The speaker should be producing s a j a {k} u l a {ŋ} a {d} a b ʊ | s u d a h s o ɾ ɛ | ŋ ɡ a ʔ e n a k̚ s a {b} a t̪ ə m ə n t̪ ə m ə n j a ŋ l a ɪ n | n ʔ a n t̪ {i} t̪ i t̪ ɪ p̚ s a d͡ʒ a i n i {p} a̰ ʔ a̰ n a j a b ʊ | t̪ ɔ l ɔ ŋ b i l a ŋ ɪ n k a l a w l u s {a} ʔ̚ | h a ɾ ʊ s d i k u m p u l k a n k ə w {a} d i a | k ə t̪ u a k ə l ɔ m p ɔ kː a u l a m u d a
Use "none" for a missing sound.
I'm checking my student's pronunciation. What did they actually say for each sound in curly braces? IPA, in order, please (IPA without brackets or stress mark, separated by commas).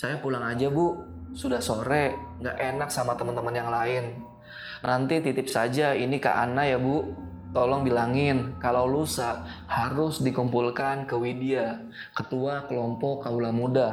p, ŋ, d͡ʒ, m, i, k, a, i